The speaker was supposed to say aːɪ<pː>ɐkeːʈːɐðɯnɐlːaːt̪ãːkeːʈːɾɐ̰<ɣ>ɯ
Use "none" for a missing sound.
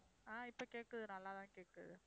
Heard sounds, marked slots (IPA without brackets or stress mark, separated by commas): pː, ð